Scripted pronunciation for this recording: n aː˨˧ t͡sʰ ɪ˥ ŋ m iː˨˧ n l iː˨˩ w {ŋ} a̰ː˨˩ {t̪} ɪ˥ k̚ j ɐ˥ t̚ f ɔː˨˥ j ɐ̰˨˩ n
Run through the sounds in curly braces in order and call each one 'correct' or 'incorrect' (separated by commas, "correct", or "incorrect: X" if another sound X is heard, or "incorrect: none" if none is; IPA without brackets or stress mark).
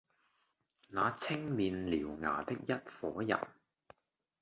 correct, correct